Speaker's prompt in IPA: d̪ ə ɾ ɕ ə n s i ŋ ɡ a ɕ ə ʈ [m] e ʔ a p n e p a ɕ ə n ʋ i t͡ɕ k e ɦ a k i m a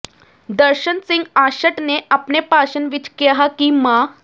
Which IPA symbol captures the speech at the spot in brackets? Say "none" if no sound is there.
n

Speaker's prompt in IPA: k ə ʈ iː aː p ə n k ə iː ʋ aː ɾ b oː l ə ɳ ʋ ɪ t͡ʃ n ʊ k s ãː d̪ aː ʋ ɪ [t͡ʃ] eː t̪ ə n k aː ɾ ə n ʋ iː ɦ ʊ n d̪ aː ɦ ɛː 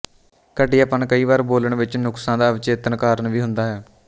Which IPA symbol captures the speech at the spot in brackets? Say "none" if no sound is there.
t͡ʃ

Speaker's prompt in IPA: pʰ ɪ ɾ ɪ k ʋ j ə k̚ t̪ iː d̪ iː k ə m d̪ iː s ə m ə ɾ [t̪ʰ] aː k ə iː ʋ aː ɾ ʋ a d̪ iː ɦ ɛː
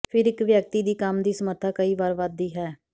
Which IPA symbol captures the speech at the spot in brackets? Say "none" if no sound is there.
t̪ʰ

